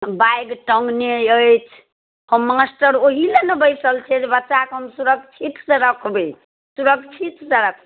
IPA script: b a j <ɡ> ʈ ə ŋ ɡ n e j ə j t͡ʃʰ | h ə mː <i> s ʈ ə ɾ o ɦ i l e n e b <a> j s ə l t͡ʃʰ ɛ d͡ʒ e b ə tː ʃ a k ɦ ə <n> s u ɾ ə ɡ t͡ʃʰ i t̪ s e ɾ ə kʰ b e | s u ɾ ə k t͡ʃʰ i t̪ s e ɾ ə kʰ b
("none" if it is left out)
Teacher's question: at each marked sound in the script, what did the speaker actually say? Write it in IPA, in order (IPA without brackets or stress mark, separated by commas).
ɡ, a, ə, m